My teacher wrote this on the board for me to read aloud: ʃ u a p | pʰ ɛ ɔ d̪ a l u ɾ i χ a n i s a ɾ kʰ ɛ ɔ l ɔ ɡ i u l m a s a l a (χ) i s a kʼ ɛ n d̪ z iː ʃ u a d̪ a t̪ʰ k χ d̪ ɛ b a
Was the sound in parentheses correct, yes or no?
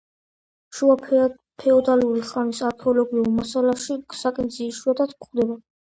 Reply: no